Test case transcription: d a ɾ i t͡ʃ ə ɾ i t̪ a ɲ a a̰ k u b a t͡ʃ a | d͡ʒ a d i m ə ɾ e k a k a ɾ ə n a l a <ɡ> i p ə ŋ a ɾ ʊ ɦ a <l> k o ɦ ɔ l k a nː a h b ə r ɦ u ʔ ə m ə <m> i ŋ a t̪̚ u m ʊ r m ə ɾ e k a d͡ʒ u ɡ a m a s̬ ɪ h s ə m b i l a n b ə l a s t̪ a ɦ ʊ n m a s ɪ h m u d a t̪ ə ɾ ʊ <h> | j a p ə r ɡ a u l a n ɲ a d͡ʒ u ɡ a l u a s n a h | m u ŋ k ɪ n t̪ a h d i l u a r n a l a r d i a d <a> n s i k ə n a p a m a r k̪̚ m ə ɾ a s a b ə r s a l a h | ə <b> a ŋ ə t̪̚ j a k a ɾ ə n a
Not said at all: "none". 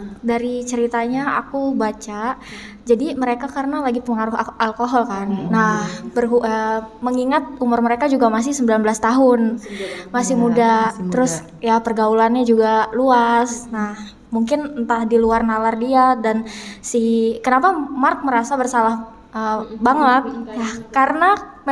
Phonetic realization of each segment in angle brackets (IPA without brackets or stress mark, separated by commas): ɡ, l, ŋ, s, a, b